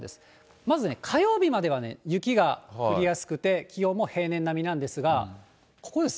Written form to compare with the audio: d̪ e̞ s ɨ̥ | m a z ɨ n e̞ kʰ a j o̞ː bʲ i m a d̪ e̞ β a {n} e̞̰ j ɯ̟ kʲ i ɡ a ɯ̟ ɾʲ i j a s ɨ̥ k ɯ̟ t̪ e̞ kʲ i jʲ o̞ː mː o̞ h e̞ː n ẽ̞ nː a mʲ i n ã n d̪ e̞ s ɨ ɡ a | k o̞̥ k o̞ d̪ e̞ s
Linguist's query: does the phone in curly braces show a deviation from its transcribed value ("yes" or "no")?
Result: no